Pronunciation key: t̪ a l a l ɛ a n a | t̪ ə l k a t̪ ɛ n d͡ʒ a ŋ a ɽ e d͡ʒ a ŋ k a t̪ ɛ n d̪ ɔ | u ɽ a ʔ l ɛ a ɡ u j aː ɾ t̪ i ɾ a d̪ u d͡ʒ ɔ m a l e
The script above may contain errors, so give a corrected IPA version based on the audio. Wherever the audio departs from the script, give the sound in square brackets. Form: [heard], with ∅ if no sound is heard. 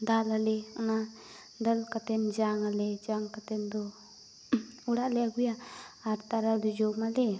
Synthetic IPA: [d̪] a l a l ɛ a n a | [d̪] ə l k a t̪ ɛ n d͡ʒ a ŋ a [l] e d͡ʒ a ŋ k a t̪ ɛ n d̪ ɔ | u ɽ a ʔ l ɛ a ɡ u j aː ɾ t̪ [a] ɾ a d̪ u d͡ʒ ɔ m a l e